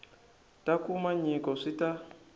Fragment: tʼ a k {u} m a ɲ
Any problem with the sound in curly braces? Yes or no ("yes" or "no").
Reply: no